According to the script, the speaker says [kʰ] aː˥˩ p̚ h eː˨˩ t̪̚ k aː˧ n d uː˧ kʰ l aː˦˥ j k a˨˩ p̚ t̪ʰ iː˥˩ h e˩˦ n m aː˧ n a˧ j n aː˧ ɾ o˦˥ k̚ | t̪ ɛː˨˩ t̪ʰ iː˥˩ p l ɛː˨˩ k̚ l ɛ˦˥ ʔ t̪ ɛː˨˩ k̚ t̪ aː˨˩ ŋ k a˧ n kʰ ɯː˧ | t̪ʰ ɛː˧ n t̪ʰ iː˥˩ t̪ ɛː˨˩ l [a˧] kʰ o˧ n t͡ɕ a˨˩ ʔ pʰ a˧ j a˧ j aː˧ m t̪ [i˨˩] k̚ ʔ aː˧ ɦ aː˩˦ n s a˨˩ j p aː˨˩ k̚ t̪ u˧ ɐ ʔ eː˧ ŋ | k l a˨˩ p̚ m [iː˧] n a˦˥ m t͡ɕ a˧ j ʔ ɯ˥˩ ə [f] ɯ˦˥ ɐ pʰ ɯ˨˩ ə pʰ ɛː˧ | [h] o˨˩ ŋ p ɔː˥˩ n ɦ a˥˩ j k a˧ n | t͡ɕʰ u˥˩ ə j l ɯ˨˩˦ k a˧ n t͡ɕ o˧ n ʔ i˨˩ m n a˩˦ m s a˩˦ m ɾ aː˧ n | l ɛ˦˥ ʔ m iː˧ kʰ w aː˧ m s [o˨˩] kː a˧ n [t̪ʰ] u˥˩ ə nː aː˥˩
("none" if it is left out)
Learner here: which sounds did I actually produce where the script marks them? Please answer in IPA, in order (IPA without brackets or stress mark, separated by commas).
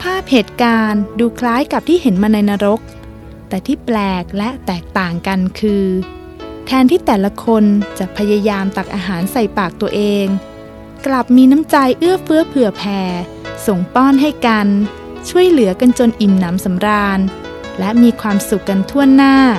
pʰ, a˧, a˨˩, iː˧, f, s, u˨˩, t̪ʰ